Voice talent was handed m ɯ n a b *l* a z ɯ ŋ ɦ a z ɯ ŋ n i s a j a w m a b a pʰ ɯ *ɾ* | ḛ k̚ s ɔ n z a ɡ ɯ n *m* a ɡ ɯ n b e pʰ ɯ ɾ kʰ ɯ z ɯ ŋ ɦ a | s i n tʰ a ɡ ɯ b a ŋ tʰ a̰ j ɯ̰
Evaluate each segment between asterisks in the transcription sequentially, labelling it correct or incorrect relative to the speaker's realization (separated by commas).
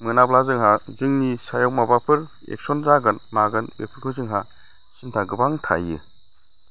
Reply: correct, correct, correct